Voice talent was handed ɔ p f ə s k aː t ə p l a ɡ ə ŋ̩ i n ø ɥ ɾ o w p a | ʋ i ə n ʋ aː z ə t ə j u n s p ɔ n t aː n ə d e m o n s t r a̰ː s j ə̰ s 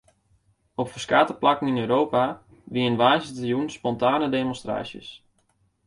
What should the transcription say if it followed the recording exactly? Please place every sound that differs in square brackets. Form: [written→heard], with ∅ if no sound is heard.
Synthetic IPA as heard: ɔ p f ə s k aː t ə p l a [ɡ→k] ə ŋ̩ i n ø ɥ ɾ o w p a | ʋ i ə n ʋ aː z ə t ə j u n s p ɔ n t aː n ə d e m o n s t r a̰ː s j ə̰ s